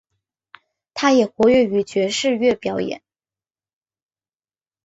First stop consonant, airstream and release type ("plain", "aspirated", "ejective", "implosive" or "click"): aspirated